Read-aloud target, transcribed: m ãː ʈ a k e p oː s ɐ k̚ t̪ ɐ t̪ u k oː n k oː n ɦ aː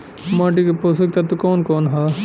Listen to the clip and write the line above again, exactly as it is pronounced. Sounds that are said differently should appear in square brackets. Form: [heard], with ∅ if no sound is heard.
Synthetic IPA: m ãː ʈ [i] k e p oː s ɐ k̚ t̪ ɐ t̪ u k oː n k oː n ɦ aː